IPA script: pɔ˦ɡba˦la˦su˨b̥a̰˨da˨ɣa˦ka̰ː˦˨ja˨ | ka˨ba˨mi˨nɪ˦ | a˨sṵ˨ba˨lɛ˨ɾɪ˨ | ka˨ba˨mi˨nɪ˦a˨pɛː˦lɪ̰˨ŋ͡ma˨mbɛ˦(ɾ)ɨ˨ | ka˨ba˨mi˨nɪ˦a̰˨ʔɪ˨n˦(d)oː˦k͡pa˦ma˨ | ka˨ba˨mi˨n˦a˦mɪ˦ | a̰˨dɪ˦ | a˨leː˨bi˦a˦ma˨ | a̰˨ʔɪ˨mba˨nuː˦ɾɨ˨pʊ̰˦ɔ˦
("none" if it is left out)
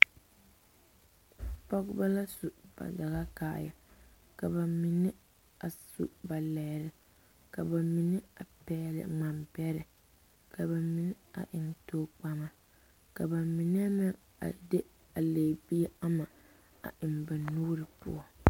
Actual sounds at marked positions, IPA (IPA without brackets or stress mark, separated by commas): ɾ, t